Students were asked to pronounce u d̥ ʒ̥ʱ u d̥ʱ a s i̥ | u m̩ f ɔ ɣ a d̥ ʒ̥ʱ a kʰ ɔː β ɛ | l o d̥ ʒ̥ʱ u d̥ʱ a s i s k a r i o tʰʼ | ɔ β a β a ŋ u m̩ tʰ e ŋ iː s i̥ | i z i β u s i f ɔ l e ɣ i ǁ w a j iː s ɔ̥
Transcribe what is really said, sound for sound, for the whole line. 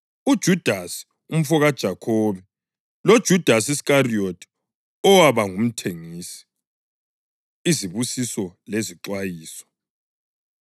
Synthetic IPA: u d̥ ʒ̥ʱ u d̥ʱ a s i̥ | u m̩ f ɔ ɣ a d̥ ʒ̥ʱ a kʰ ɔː β ɛ | l o d̥ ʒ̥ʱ u d̥ʱ a s i s k a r i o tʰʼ | ɔ w a β a ŋ u m̩ tʰ e ŋ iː s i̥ | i z i β u s i s ɔ l e z i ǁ w a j iː s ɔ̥